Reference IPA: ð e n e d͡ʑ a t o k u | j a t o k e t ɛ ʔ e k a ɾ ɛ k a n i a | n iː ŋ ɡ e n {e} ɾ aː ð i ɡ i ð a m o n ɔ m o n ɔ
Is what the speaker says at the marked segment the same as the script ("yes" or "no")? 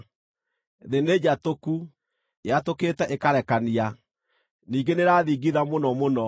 yes